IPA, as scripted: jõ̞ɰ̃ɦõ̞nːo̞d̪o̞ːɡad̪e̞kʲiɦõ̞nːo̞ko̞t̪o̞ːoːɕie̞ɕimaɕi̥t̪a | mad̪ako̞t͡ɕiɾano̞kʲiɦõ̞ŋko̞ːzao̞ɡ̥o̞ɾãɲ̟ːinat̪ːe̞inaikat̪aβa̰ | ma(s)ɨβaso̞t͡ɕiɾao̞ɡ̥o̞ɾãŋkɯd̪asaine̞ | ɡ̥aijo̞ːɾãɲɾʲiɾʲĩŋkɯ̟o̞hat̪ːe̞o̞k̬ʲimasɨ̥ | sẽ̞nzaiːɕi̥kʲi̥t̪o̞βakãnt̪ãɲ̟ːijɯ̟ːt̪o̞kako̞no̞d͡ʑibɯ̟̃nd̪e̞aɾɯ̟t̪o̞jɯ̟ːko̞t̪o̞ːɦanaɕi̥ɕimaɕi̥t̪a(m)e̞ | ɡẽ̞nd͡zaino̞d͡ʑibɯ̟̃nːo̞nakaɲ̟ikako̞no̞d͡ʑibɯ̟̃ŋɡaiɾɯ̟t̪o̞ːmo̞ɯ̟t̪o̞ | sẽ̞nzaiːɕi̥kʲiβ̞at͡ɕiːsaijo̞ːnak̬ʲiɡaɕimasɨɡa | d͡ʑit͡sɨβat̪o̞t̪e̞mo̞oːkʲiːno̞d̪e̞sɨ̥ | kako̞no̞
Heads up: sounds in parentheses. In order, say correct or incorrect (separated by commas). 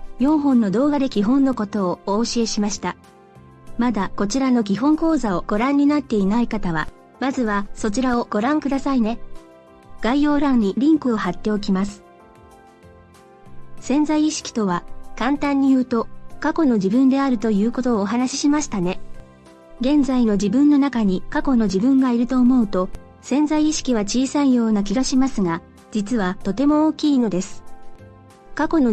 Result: incorrect, incorrect